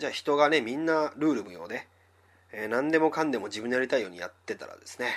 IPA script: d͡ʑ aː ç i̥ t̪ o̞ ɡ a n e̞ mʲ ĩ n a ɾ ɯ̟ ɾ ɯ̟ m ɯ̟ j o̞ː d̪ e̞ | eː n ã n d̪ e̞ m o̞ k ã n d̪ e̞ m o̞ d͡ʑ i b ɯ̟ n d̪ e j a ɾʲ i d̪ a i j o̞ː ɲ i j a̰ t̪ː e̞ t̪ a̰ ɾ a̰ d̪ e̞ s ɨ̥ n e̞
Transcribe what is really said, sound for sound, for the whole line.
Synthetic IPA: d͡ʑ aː ç i̥ t̪ o̞ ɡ a n e̞ mʲ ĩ nː a ɾ ɯ̟ː ɾ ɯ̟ m ɯ̟ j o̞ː d̪ e̞ | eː n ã n d̪ e̞ m o̞ k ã n d̪ e̞ m o̞ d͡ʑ i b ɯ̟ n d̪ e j a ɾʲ i t̪ a i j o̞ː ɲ i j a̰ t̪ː e̞ t̪ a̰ ɾ a̰ d̪ e̞ s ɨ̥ n e̞